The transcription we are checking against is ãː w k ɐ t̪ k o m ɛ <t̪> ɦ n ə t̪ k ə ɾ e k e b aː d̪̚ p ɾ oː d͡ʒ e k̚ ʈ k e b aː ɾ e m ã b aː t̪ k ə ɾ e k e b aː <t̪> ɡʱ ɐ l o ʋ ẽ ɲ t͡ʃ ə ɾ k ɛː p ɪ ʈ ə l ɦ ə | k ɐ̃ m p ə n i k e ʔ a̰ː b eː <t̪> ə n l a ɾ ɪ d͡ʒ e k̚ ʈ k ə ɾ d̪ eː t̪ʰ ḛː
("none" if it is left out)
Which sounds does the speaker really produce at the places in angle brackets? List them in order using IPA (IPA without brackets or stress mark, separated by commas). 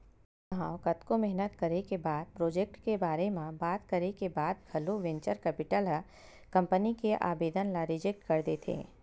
none, d̪, d̪